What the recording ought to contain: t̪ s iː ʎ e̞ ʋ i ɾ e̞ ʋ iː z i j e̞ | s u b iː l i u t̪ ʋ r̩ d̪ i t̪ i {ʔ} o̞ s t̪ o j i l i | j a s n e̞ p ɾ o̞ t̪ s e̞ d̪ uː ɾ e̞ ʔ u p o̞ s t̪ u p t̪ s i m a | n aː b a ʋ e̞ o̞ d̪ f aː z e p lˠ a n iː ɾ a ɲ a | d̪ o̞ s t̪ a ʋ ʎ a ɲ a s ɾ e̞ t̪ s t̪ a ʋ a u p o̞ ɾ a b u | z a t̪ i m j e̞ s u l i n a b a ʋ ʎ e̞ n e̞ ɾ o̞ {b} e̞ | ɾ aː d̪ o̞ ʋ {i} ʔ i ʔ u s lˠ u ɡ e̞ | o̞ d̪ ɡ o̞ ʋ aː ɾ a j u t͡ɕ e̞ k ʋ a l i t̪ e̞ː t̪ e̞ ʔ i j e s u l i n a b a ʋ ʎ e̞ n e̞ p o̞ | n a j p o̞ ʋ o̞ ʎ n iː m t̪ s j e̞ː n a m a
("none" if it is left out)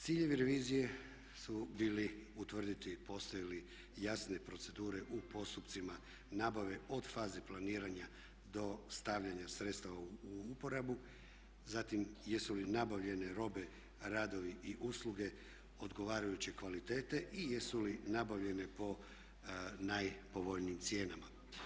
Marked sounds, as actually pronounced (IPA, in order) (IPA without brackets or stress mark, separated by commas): p, b, i